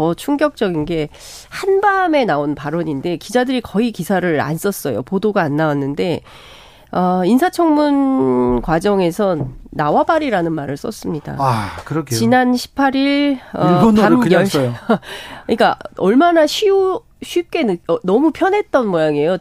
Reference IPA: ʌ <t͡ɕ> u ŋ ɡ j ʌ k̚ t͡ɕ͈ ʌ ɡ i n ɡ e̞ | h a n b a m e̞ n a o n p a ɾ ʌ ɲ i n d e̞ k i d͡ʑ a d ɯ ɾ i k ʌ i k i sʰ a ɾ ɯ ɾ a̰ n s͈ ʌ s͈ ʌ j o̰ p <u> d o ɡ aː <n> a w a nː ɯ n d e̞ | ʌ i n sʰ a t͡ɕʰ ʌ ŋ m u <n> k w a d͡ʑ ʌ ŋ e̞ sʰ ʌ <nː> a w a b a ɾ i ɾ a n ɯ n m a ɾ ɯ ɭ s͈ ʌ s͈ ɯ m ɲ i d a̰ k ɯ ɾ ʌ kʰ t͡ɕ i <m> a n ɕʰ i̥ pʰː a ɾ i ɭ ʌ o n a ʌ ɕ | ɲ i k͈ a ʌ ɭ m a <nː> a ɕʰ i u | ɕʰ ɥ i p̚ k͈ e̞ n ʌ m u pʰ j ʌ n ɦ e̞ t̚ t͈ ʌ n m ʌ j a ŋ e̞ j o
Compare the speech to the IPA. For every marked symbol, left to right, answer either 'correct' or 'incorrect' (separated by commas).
incorrect, incorrect, incorrect, correct, correct, incorrect, incorrect